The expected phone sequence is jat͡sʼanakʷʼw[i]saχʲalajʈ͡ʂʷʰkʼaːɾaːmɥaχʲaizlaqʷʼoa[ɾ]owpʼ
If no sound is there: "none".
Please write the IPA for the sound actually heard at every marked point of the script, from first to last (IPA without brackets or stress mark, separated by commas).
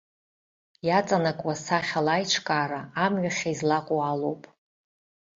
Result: a, l